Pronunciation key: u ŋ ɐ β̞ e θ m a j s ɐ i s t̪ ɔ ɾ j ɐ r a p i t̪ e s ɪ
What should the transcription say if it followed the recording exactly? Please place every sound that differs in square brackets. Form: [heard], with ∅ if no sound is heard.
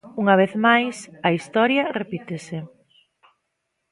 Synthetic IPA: u ŋ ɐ β̞ e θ m a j s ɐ i s t̪ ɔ ɾ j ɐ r [e] p i t̪ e s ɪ